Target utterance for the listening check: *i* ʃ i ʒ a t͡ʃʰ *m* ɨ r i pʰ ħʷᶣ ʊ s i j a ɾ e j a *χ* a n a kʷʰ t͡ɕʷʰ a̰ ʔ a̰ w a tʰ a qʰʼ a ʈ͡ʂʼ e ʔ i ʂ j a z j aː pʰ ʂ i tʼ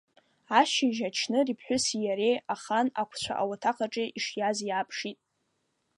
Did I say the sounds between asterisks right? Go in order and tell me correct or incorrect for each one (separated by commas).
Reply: incorrect, incorrect, correct